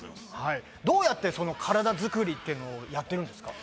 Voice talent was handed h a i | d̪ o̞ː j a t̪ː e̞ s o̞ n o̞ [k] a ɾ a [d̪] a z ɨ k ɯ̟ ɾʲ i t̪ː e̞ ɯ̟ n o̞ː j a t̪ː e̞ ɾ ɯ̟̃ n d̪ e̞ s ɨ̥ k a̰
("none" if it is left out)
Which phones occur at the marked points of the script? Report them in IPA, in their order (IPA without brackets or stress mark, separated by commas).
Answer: kʰ, d̪